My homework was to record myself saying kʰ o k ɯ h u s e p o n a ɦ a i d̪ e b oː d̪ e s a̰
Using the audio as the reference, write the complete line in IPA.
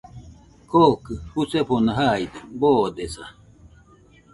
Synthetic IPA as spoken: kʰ o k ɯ h u s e p o n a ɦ a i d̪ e b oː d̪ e s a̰